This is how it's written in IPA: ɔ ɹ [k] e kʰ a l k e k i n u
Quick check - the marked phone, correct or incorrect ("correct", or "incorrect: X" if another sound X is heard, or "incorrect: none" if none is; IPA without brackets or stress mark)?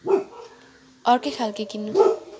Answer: correct